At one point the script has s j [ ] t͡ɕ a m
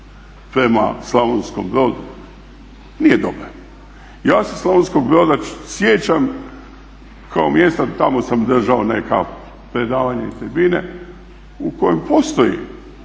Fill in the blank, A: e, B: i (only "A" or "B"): A